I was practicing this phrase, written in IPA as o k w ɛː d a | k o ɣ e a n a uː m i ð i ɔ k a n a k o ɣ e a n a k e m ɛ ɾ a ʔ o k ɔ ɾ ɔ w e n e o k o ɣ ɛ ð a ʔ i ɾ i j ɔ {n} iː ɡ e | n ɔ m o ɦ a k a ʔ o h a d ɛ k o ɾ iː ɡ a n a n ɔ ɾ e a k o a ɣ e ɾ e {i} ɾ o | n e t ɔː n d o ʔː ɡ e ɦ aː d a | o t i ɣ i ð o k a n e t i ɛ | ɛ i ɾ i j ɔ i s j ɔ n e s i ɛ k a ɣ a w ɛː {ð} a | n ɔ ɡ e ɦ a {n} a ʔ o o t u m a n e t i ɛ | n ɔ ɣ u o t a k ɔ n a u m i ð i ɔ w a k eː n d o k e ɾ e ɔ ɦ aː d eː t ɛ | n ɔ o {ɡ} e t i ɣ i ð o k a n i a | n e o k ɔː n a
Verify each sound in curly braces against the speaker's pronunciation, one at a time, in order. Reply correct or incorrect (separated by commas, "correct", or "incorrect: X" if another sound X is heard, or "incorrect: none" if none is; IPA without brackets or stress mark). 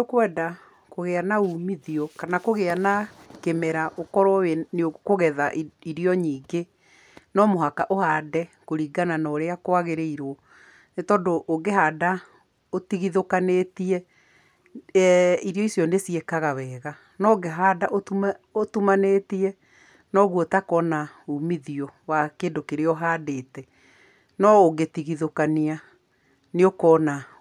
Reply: incorrect: ɲ, correct, incorrect: ɣ, incorrect: d, correct